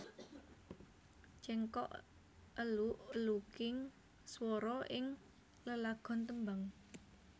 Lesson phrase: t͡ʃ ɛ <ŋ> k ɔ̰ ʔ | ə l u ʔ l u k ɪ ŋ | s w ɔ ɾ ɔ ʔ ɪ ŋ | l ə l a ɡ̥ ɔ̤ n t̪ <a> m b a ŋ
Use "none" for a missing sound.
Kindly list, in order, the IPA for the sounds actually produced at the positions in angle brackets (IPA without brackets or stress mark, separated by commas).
ŋ, ə